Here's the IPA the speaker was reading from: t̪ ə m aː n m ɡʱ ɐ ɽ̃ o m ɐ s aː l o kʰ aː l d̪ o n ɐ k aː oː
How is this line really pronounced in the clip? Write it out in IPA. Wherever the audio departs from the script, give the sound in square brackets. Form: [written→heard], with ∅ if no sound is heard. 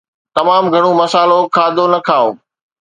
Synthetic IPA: t̪ [ə→ɐ] m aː [n→∅] m ɡʱ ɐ ɽ̃ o m ɐ s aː l o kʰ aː [l→∅] d̪ o n ɐ [k→kʰ] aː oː